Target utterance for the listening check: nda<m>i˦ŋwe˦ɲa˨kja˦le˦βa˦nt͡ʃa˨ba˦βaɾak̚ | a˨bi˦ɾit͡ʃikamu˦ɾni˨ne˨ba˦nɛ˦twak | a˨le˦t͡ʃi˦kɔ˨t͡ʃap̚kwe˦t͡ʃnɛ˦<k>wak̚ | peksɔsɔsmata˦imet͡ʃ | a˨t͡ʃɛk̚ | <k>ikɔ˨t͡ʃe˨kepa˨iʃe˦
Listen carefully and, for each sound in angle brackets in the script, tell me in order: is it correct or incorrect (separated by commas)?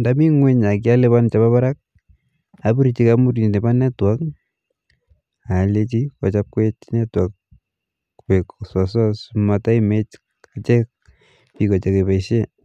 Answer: correct, incorrect, incorrect